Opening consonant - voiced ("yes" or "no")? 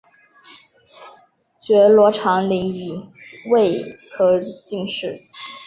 no